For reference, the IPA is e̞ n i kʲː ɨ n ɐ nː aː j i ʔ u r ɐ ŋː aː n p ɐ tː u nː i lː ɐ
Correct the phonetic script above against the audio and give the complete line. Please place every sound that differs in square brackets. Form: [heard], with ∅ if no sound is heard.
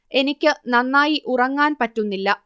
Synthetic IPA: e̞ n i kʲː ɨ n ɐ nː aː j i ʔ u r ɐ ŋː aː n p ɐ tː u nː i lː ɐ